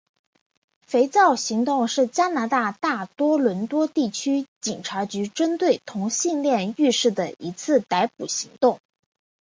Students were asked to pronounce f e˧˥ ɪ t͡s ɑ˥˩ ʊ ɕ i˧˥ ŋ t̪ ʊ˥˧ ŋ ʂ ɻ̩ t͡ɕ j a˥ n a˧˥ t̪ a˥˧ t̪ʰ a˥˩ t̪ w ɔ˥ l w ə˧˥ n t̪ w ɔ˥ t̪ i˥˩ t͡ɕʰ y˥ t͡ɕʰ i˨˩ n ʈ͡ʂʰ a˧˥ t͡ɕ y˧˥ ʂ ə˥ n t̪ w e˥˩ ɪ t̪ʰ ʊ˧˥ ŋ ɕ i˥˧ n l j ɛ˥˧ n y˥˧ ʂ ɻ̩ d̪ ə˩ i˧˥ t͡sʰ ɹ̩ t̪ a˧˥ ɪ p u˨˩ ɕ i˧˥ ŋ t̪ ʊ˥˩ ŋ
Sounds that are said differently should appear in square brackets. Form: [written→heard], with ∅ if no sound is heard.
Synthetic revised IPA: f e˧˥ ɪ t͡s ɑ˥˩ ʊ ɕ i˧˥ ŋ t̪ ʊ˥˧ ŋ ʂ ɻ̩ t͡ɕ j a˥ n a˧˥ t̪ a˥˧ [t̪ʰ→t̪] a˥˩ t̪ w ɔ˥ l w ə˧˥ n t̪ w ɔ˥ t̪ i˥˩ t͡ɕʰ y˥ [t͡ɕʰ→t͡ɕ] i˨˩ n ʈ͡ʂʰ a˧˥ t͡ɕ y˧˥ [ʂ→ʈ͡ʂ] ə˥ n t̪ w e˥˩ ɪ t̪ʰ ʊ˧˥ ŋ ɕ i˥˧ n l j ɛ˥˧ n y˥˧ ʂ ɻ̩ d̪ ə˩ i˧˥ t͡sʰ ɹ̩ t̪ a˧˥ ɪ p u˨˩ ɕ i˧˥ ŋ t̪ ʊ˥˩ ŋ